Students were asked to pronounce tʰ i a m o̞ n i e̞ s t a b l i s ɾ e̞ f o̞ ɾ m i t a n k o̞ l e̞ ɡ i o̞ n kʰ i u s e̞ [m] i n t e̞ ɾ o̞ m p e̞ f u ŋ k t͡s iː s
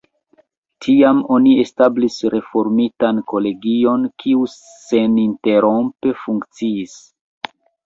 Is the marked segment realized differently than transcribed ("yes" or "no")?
yes